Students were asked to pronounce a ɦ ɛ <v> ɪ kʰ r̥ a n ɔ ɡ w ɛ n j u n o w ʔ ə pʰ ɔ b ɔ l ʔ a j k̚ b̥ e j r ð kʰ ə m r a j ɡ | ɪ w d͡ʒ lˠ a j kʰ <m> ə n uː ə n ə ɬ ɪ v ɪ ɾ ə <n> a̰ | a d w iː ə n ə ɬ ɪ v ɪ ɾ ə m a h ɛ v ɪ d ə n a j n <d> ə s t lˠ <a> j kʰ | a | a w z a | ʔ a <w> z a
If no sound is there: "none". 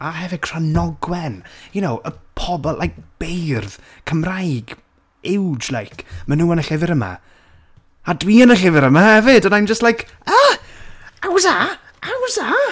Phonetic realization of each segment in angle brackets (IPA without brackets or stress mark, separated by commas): v, m, m, d͡ʒ, a, w